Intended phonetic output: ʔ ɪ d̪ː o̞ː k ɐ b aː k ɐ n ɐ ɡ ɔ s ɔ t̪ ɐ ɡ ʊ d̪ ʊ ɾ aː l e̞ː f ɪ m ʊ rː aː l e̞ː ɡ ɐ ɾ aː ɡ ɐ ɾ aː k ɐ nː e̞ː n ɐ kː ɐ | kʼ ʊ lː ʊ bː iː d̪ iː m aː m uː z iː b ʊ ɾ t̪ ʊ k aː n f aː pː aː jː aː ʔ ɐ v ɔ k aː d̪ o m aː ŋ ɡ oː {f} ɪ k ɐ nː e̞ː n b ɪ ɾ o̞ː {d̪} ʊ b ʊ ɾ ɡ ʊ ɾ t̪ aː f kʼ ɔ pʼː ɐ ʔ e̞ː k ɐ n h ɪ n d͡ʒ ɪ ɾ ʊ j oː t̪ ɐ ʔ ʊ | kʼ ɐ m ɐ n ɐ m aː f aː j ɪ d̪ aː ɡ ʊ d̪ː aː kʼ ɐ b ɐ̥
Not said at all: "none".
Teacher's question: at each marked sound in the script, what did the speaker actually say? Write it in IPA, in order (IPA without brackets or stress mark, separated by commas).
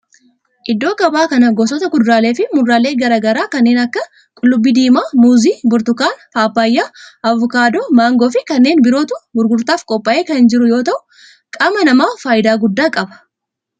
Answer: f, t̪